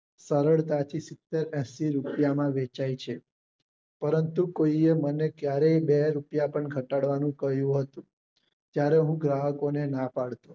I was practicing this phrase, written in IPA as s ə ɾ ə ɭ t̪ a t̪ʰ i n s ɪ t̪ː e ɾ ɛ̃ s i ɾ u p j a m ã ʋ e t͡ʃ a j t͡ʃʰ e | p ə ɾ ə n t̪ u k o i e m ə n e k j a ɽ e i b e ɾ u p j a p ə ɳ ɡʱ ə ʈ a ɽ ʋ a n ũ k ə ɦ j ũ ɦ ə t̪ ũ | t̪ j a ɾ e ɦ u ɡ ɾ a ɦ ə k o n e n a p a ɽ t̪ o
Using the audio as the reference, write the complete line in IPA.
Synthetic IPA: s ə ɾ ə ɭ t̪ a t̪ʰ i s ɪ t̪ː e ɾ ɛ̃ s i ɾ u p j a m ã ʋ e t͡ʃ a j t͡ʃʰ e | p ə ɾ ə n t̪ u k o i e m ə n e k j a ɾ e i b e ɾ u p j a p ə ɳ ɡʱ ə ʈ a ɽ ʋ a n ũ k ə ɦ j ũ ɦ ə t̪ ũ | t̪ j a ɾ e ɦ ũ ɡ ɾ a ɦ ə k o n e n a p a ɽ t̪ o